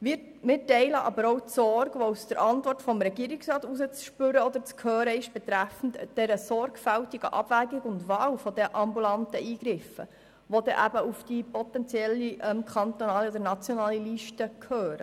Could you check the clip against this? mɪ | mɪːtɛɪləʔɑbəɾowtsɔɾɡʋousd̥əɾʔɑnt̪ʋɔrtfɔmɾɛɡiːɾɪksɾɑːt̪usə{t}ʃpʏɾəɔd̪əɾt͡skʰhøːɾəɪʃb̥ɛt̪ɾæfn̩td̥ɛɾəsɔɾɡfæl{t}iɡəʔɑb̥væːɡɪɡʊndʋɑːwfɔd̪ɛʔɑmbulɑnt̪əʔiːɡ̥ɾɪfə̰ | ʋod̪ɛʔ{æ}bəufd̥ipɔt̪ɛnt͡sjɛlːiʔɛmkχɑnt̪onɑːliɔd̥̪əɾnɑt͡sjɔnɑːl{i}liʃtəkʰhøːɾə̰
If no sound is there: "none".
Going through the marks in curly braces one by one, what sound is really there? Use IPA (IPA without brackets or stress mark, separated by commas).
t͡s, t, æ, i